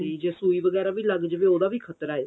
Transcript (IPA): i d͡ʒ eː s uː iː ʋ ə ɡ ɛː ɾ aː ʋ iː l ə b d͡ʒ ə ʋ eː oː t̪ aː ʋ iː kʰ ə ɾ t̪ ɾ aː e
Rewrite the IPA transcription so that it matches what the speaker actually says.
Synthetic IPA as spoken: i d͡ʒ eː s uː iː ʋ ə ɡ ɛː ɾ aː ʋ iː l ə ɡ d͡ʒ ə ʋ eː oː d̪ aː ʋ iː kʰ ə t̪ ɾ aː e